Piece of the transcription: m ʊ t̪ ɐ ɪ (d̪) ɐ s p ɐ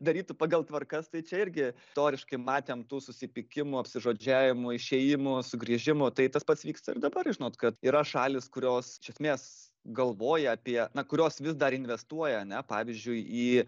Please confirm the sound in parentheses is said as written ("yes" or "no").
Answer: no